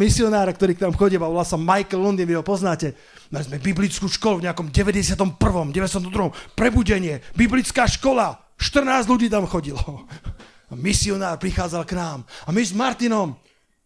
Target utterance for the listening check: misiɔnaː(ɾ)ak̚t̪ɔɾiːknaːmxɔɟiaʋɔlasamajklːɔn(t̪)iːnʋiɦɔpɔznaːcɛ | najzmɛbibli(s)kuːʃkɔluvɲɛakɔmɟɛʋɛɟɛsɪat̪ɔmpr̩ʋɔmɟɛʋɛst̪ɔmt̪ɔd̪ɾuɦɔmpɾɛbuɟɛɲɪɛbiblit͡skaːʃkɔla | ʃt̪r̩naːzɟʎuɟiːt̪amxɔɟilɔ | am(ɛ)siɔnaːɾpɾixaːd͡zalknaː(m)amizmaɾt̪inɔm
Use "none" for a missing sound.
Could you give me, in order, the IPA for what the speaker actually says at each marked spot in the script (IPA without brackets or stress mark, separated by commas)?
ɾ, d̪, t͡s, i, m